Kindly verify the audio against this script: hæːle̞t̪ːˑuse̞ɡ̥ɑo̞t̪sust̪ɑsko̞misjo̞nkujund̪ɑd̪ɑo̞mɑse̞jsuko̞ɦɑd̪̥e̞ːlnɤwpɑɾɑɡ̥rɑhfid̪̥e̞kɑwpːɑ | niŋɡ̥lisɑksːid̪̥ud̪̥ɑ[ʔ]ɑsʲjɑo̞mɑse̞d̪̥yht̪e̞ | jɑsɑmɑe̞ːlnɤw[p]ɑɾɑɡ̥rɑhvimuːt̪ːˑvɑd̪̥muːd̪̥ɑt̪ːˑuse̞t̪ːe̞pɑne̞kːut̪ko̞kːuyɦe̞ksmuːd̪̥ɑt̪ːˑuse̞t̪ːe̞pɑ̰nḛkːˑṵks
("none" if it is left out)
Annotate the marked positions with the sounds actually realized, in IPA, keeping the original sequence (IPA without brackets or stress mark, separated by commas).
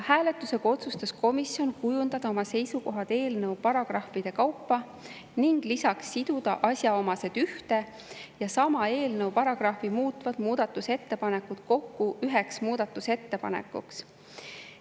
ʔ, p